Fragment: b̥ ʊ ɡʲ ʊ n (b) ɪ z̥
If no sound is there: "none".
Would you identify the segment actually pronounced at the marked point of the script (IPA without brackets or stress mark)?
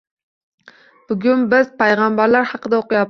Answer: b